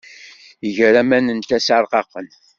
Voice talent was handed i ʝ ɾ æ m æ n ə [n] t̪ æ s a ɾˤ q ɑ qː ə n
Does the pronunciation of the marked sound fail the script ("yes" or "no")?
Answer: no